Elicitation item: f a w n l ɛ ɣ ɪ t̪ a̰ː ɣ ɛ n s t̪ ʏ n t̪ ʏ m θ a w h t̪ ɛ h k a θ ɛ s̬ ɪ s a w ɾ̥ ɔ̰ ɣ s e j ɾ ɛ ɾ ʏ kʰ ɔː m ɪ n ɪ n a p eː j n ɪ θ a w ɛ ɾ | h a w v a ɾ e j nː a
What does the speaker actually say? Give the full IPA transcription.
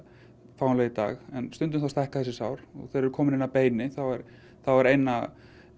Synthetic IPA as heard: f a w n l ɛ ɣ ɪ t̪ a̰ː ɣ ɛ n s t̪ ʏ n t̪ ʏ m θ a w s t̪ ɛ h k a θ ɛ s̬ ɪ s a w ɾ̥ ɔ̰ ɣ θ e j ɾ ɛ ɾ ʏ kʰ ɔː m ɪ n ɪ n a p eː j n ɪ θ a w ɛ ɾ | θ a w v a ɾ e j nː a

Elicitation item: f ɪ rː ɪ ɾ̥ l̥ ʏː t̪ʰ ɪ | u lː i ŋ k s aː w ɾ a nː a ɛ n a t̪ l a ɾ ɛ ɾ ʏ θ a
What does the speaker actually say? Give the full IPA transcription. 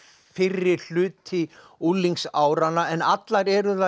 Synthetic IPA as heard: f ɪ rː ɪ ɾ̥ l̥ ʏː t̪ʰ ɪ | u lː i ŋ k s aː w ɾ a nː a ɛ n a t̪ l a ɾ ɛ ɾ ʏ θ a

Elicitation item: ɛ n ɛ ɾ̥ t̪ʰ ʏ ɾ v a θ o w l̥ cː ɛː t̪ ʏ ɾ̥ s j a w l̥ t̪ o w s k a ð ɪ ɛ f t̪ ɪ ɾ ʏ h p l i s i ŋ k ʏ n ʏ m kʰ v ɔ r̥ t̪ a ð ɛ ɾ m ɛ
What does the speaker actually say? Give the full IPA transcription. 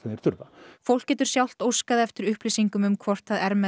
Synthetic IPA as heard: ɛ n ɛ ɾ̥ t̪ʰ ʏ ɾ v a f o w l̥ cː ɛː t̪ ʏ ɾ̥ s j a w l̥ t̪ o w s k a ð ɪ ɛ f t̪ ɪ ɾ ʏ h p l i s i ŋ k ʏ m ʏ m kʰ v ɔ r̥ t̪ a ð ɛ ɾ m ɛ

